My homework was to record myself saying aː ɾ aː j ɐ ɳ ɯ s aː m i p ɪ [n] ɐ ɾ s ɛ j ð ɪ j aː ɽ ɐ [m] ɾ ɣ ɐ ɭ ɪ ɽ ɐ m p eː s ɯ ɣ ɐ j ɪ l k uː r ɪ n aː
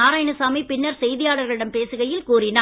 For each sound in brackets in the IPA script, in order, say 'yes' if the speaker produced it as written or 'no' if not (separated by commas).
no, no